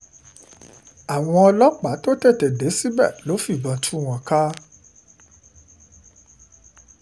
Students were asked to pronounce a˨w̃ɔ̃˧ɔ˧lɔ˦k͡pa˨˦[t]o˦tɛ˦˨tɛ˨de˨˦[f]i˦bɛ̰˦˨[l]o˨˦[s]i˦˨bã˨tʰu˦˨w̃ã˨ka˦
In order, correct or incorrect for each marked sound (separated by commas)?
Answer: correct, incorrect, correct, incorrect